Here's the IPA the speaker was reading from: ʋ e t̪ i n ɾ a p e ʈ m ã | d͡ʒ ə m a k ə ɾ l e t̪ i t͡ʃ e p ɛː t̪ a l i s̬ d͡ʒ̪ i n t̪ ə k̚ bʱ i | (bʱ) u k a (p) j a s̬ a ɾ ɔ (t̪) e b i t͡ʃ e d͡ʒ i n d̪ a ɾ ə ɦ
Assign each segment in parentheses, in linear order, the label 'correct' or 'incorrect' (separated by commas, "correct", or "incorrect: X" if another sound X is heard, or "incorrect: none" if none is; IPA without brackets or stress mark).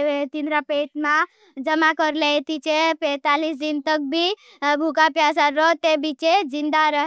correct, correct, correct